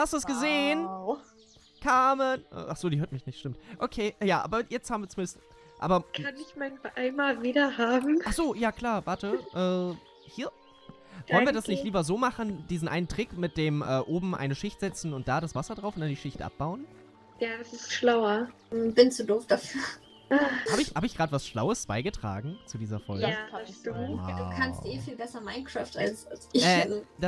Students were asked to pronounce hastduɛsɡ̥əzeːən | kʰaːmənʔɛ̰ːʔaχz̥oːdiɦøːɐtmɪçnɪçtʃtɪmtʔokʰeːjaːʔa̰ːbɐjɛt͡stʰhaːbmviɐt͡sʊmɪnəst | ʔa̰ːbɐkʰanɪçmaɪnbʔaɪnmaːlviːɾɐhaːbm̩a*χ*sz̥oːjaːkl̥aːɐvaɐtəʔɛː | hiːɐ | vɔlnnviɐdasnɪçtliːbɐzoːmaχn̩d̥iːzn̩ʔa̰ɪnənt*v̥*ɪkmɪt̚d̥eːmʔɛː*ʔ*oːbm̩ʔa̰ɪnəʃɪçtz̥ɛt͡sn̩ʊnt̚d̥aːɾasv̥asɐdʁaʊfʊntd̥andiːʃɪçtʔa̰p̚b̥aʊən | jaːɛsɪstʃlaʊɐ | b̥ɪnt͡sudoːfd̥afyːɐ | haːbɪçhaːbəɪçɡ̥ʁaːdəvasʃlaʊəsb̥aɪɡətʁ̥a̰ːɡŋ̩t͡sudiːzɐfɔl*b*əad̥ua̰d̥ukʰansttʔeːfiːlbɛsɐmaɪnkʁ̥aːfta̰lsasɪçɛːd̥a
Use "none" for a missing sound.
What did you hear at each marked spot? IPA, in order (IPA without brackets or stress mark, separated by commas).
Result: χ, ʁ̥, ʔ, ɡ